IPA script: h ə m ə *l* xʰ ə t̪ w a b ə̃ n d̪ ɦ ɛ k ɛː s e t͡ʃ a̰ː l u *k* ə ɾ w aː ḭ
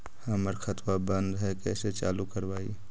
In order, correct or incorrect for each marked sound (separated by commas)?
incorrect, correct